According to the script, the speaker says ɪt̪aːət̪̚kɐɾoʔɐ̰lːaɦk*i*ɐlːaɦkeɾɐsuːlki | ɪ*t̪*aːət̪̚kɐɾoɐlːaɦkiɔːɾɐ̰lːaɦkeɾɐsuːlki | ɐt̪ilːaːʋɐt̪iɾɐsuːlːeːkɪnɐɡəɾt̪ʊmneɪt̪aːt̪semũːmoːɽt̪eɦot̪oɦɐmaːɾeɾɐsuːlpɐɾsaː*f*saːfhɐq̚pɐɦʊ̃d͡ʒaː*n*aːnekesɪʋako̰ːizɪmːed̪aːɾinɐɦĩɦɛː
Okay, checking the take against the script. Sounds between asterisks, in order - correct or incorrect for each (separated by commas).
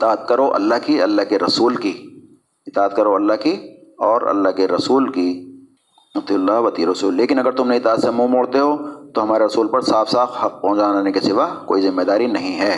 correct, correct, correct, correct